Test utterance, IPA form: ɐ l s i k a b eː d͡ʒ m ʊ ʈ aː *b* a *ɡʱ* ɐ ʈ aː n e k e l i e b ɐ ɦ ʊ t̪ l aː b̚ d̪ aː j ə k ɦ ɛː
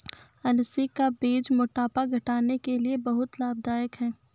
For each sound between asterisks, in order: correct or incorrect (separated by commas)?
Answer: incorrect, correct